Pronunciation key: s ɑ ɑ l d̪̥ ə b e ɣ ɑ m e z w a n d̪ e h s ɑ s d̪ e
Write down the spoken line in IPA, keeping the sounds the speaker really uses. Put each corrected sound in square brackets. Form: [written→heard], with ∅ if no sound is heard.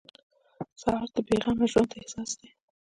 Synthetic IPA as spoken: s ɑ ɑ [l→ɾ] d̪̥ ə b e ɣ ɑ m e [z→ʒ] w a n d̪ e h s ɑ s d̪ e

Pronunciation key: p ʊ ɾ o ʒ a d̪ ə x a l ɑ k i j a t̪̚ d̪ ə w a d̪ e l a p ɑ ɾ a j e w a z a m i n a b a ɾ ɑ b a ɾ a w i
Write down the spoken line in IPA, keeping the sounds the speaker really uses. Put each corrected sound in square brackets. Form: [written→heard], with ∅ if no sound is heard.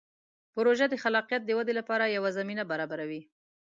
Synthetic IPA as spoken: p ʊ ɾ o ʒ a d̪ ə x a l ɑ [k→q] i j a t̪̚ d̪ ə w a d̪ e l a p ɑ ɾ a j [e→a] w a z a m i n a b a ɾ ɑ b a ɾ a w i

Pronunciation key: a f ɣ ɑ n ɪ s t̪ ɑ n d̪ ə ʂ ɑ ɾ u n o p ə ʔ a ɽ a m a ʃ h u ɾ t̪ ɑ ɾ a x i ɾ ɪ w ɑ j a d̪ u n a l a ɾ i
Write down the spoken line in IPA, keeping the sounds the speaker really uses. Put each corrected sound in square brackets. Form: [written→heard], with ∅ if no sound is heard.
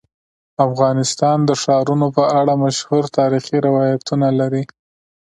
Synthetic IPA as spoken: a f ɣ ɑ n ɪ s t̪ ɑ n d̪ ə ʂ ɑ ɾ u n o p ə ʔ a ɽ a m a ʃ h u ɾ t̪ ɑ ɾ [a→i] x i ɾ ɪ w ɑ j a [d̪→t̪] u n a l a ɾ i

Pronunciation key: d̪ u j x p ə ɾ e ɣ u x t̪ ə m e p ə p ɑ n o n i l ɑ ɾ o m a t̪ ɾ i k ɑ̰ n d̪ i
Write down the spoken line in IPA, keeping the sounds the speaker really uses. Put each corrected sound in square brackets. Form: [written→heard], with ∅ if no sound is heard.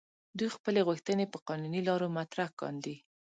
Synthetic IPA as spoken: d̪ u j x p ə [ɾ→l] e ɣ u x t̪ ə [m→n] e p ə [p→q] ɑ n [o→u] n i l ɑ ɾ o m a t̪ ɾ [i→a] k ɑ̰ n d̪ i

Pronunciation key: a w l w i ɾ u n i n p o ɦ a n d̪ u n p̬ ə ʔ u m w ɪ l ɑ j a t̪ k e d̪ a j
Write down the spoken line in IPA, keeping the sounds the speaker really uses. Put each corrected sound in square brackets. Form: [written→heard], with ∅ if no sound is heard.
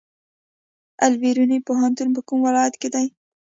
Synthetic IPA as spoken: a [w→∅] l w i ɾ u n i [n→∅] p o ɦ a n [d̪→t̪] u n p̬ ə [ʔ→k] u m w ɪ l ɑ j a t̪ k e d̪ a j

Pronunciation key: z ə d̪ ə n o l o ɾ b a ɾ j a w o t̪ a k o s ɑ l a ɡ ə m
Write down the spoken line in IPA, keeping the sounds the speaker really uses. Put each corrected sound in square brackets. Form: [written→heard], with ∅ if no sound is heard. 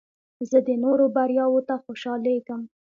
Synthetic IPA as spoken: z ə d̪ ə n o [l→ɾ] o [ɾ→∅] b a ɾ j [a→ɑ] w o t̪ a [k→x] o [s→ʃ] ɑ l [a→e] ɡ ə m

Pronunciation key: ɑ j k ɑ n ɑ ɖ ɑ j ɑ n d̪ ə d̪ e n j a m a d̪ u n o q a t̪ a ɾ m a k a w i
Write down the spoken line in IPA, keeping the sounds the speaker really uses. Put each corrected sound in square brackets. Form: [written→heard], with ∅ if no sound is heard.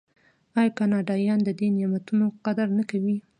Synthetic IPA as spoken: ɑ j k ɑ n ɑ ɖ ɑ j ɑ n d̪ ə d̪ e n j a m a [d̪→t̪] u n o q a [t̪→d̪] a ɾ [m→n] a k a w i

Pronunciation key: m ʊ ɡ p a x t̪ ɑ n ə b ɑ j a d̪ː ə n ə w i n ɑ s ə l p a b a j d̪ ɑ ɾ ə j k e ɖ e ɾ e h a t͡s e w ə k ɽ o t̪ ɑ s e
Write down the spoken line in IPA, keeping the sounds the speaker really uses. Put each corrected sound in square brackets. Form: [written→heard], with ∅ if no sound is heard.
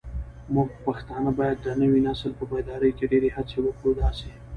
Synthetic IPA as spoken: m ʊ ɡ p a x t̪ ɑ n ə b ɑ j a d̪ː ə n ə w i n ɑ s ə l p [a→ə] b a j d̪ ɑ ɾ ə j k e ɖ e ɾ e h a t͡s e w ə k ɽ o [t̪→d̪] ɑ s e

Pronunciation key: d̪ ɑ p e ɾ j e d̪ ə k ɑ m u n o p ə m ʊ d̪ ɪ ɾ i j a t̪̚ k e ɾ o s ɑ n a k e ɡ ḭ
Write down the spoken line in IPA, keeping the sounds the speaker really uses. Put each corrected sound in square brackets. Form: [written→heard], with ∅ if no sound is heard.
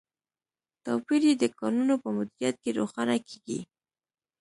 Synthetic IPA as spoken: [d̪→t̪] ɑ p [e→i] ɾ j e d̪ ə k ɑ [m→n] u n o p ə m ʊ d̪ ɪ ɾ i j a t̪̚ k e ɾ o [s→x] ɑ n a k e ɡ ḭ

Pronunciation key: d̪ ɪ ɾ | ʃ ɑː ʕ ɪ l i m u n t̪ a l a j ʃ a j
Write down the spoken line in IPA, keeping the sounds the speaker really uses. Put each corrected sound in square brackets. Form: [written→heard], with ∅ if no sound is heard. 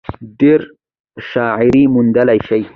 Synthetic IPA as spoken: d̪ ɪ ɾ | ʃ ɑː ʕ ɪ [l→ɾ] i m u n [t̪→d̪] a l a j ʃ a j

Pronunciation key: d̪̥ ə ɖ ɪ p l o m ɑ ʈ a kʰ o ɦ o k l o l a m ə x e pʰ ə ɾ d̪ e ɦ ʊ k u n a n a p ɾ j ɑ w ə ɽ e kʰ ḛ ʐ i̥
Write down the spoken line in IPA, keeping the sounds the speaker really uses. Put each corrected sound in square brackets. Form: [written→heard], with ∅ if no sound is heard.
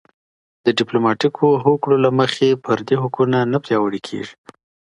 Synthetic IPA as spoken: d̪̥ ə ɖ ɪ p l o m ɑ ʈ [a→i] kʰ o ɦ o k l o l a m ə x e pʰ ə ɾ d̪ e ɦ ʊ k u n a n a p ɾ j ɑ w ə ɽ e kʰ ḛ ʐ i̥

